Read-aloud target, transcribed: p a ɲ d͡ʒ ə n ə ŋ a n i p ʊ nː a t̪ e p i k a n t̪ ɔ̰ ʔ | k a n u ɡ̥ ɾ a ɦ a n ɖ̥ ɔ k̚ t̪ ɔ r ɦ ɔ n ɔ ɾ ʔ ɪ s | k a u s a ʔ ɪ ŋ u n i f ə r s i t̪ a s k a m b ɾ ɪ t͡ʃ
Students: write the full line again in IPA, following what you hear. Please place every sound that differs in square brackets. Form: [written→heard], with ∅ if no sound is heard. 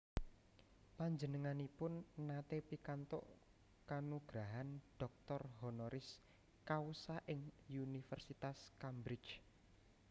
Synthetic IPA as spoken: p a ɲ d͡ʒ ə n ə ŋ a n i p ʊ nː a t̪ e p i k a n t̪ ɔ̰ ʔ | k a n u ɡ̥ ɾ a ɦ a n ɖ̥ ɔ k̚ t̪ ɔ r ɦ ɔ n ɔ ɾ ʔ ɪ s | k a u s a ʔ ɪ ŋ u n i f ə r s i t̪ a s k a m b ɾ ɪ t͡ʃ